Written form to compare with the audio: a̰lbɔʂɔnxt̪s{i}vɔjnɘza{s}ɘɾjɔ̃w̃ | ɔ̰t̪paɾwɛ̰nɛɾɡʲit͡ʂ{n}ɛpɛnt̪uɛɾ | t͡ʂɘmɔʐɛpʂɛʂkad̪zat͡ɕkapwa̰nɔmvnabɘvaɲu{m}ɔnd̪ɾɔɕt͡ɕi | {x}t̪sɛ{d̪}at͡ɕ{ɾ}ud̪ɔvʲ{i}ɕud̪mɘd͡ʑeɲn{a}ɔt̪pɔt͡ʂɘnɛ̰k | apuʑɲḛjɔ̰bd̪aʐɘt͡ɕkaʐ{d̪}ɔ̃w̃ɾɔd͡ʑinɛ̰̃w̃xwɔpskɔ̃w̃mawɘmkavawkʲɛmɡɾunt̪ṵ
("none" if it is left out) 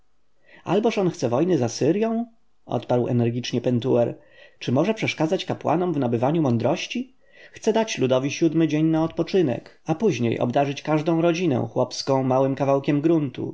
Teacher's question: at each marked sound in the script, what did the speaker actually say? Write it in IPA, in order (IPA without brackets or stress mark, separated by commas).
ɛ, s, ɲ, m, x, d̪, l, i, a, d̪